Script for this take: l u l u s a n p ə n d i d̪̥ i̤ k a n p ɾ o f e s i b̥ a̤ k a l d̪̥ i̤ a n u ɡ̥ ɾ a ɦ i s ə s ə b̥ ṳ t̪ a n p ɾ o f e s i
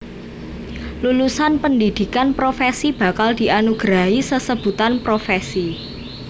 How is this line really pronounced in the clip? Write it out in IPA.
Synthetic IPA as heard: l u l u s a n p ə n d i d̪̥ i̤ k a n p ɾ o f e s i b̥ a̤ k a l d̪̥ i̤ a n u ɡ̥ ɾ a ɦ i s ə s ə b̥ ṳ t̪ a n p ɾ o f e s i

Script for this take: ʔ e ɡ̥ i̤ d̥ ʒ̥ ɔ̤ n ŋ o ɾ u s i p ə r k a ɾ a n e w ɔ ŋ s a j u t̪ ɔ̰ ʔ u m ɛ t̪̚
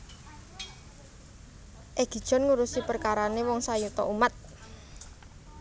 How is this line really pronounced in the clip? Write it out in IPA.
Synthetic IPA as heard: ʔ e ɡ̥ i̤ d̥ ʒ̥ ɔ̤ n ŋ u ɾ u s i p ə r k a ɾ a n e w ɔ ŋ s a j u t̪ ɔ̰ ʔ u m a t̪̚

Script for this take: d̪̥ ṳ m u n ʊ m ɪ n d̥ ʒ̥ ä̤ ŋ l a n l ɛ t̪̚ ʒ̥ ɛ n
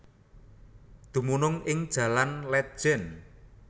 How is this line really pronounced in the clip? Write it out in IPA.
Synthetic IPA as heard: d̪̥ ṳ m u n ʊ ŋ ɪ ŋ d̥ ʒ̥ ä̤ l a n l ɛ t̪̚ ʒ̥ ɛ n

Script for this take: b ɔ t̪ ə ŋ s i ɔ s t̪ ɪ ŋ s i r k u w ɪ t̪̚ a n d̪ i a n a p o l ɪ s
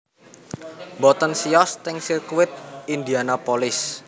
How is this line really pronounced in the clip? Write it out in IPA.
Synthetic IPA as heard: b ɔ t̪ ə n s i ɔ s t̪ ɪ ŋ s i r k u w ɪ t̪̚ i n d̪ i a n a p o l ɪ s

